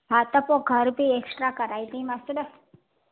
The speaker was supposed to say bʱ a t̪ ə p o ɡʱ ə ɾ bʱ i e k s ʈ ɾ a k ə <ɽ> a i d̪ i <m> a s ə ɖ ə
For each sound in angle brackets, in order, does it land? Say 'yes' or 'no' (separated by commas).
no, yes